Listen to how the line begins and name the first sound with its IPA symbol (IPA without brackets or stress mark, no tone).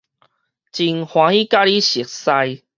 t͡ɕ